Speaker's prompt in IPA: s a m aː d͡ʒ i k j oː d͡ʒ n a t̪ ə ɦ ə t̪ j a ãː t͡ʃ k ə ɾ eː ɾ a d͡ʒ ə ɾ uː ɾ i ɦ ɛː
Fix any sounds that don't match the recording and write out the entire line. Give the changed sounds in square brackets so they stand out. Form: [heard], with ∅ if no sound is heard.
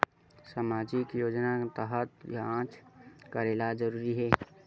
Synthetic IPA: s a m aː d͡ʒ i k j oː d͡ʒ n a t̪ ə ɦ ə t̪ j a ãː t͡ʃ k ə ɾ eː [l] a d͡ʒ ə ɾ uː ɾ i ɦ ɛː